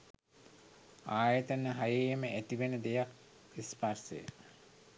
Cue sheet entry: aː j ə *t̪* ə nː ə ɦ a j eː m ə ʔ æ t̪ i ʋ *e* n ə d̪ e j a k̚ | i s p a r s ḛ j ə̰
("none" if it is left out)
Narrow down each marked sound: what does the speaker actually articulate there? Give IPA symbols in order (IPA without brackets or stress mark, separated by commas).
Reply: t̪, e